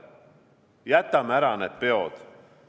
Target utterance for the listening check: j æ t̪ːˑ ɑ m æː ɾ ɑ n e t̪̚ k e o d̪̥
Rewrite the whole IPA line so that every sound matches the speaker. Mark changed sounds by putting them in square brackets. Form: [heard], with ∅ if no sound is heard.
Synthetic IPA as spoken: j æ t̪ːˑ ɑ m [æ] ɾ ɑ n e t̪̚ [p] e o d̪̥